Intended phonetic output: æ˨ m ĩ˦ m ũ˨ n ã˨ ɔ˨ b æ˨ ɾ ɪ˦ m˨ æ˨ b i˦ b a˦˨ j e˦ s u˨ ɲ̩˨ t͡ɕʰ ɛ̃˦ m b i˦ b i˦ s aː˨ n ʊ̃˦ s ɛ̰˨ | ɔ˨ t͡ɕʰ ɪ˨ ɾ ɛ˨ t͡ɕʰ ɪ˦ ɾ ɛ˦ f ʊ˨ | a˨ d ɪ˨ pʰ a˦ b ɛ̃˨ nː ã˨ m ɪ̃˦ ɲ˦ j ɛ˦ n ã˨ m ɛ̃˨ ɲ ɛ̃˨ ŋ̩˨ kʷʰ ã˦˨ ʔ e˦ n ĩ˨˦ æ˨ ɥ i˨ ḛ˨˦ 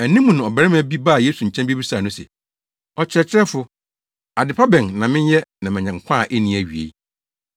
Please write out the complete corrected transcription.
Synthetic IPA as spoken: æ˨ n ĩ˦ m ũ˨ n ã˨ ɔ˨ b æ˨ ɾ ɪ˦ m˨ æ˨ b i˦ b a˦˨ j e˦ s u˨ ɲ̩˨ t͡ɕʰ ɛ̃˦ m b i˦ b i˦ s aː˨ n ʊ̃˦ s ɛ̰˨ | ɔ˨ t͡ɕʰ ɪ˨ ɾ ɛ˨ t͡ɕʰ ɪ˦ ɾ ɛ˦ f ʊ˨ | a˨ d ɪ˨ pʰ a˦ b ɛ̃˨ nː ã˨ m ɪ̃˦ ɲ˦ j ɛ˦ n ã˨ m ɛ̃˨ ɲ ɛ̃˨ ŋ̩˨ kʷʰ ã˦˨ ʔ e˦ n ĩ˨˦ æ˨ ɥ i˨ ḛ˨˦